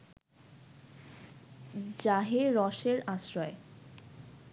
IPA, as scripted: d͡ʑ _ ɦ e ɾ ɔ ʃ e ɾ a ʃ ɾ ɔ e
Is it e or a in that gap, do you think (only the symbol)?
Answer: a